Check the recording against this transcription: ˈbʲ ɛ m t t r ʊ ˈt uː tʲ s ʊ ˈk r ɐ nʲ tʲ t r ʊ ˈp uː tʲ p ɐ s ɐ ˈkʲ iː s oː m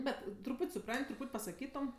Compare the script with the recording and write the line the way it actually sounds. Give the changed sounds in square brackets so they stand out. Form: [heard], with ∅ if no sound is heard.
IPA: ˈbʲ ɛ [∅] t t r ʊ [ˈp] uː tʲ s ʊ [ˈp] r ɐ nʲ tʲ t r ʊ ˈp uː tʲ p ɐ s ɐ ˈkʲ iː [t] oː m